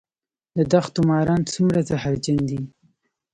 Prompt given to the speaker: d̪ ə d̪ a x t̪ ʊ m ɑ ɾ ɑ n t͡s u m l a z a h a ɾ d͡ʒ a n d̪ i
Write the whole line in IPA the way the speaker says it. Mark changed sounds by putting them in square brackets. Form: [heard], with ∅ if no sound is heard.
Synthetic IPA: d̪ ə d̪ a x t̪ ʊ m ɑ ɾ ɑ n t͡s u m [ɾ] a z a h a ɾ d͡ʒ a n d̪ i